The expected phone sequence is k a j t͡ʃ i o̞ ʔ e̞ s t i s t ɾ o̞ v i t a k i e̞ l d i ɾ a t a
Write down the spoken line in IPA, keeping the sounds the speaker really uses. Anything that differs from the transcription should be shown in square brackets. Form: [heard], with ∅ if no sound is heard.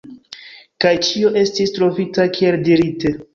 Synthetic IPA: k a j t͡ʃ i o̞ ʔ e̞ s t i s t ɾ o̞ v i t a k i e̞ l d i ɾ [i] t [e]